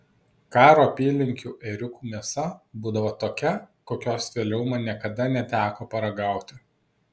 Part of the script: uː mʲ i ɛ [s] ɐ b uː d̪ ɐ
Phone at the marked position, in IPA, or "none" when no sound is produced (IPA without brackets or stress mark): s